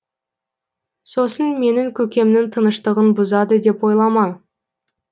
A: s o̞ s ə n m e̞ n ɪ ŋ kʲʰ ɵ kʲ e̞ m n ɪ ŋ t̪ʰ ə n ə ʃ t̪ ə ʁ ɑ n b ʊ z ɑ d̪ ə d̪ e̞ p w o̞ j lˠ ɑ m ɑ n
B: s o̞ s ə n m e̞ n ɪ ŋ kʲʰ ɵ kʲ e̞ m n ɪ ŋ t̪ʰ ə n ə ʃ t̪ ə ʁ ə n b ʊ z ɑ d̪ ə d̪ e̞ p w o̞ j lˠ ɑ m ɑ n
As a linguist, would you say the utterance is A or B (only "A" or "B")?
B